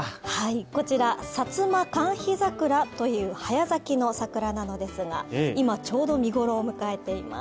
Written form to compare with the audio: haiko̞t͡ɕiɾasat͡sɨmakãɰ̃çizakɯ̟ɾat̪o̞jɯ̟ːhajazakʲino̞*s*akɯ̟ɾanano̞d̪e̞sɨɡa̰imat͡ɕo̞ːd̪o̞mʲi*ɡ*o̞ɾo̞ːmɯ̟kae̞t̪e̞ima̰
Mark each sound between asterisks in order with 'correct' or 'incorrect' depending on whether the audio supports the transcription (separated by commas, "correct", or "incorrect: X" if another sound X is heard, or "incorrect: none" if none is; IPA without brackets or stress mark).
correct, correct